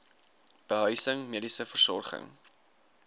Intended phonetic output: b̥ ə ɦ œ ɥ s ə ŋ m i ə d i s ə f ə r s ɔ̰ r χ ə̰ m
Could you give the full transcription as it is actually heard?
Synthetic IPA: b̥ ə ɦ œ ɥ s ə ŋ m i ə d i s ə f ə r s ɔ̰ r χ ə̰ ŋ